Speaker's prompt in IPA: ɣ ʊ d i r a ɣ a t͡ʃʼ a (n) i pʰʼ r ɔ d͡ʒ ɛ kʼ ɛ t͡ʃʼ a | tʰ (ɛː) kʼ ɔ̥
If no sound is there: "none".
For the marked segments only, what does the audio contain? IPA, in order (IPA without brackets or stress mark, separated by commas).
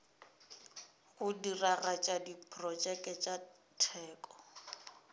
d, ɛː